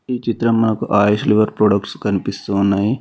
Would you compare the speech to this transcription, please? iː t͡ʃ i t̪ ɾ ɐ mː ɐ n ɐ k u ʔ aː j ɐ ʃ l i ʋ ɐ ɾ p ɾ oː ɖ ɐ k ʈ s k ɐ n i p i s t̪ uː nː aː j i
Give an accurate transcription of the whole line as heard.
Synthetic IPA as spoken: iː t͡ʃ i t̪ ɾ ɐ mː ɐ n ɐ k u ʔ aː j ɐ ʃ l i ʋ ɐ ɾ p ɾ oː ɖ ɐ k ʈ s k ɐ n i p i s t̪ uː nː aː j i